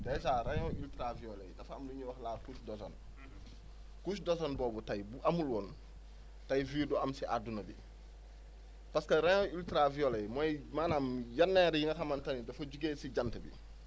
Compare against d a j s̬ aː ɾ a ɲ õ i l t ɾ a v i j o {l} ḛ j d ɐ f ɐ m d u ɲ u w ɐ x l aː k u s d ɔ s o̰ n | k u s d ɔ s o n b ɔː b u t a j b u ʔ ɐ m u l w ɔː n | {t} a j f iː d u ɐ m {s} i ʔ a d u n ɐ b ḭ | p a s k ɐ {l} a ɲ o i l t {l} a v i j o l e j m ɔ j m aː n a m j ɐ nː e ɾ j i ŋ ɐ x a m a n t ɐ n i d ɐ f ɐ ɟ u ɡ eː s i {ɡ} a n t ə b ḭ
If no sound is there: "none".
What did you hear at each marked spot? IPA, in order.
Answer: l, t, s, ɾ, ɾ, ɟ

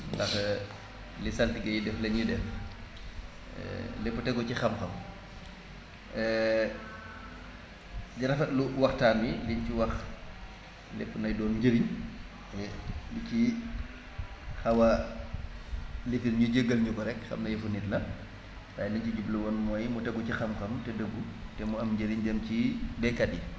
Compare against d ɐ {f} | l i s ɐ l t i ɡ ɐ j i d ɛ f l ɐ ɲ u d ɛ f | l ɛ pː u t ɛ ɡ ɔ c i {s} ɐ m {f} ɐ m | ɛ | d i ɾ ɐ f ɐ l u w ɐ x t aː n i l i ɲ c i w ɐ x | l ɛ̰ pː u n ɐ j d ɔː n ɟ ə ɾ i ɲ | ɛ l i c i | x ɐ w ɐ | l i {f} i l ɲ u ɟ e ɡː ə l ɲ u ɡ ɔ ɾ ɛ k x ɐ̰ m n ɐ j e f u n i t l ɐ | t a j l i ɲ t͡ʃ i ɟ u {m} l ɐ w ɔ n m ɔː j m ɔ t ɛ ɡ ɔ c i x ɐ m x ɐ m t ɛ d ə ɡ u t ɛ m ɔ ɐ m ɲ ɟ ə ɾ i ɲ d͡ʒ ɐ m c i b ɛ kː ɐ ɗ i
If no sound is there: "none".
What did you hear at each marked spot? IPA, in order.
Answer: x, x, x, f, b

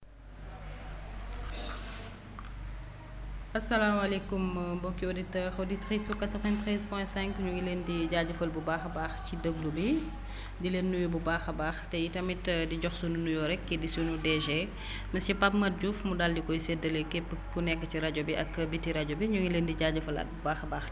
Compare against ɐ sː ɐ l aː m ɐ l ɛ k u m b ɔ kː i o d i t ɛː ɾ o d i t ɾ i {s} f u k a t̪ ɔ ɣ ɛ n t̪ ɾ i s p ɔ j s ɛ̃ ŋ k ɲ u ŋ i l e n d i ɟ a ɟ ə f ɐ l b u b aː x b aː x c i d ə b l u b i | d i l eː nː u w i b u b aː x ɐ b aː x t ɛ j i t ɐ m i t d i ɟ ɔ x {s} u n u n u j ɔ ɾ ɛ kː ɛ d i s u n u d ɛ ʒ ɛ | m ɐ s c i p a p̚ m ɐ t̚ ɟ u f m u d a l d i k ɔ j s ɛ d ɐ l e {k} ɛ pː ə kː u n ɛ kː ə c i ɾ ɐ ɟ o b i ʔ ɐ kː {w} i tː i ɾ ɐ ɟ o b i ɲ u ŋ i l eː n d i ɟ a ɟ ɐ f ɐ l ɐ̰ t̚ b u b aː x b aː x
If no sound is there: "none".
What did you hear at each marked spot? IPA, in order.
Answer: s, s, k, b

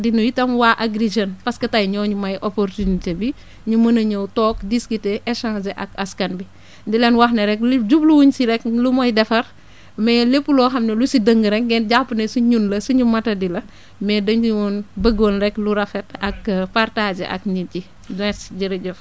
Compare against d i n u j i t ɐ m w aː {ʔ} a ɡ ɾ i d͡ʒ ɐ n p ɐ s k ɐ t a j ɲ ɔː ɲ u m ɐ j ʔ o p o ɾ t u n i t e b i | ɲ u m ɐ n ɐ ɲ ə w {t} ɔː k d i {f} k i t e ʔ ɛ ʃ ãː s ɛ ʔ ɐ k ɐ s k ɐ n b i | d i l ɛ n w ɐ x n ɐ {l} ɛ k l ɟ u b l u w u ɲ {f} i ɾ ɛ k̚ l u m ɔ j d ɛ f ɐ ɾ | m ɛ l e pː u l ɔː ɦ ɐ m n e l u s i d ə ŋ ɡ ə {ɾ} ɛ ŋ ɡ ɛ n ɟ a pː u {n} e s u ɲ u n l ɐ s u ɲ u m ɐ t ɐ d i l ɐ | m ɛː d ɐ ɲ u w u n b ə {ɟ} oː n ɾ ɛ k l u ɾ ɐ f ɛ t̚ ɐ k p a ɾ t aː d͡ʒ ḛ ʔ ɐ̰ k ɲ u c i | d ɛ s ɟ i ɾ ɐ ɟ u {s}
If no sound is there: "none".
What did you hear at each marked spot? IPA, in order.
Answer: ʔ, t, s, ɾ, s, ɾ, n, ɡ, f

